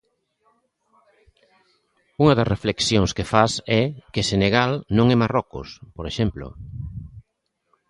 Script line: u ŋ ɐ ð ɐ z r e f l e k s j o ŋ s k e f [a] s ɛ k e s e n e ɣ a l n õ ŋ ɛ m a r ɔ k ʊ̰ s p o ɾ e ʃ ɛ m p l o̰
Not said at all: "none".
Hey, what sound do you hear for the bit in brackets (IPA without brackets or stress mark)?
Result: a